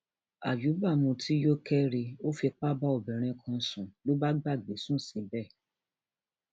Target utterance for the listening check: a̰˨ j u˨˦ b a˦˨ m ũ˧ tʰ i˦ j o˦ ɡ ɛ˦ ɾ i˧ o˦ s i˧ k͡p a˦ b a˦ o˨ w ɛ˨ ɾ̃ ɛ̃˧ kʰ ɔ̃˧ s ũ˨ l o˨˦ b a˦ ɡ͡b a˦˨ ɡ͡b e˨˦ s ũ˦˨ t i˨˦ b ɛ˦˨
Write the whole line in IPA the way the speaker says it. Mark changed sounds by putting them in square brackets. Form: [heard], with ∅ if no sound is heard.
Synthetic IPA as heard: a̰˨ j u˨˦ b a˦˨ m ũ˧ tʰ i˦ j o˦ [k] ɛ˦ ɾ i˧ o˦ [f] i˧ k͡p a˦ b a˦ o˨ [b] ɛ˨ ɾ̃ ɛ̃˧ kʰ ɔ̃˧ s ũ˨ l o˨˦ b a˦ ɡ͡b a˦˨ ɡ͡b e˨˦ s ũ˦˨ [s] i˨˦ b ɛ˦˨